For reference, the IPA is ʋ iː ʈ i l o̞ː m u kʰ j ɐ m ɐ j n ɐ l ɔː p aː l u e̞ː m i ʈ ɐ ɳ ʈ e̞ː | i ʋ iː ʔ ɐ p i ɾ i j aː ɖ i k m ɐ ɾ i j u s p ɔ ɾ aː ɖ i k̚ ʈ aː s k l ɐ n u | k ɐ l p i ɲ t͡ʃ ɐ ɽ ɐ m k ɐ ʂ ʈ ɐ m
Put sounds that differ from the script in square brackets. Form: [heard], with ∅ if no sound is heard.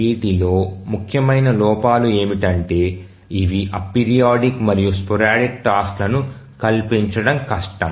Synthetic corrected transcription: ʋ iː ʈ i l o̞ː m u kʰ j ɐ m ɐ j n ɐ l ɔː p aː l u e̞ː m i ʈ ɐ ɳ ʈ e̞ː | i ʋ [i] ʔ ɐ p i ɾ i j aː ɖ i k m ɐ ɾ i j u s p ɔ ɾ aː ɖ i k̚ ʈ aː s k l ɐ n u | k ɐ l p i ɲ t͡ʃ ɐ ɽ ɐ m k ɐ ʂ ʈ ɐ m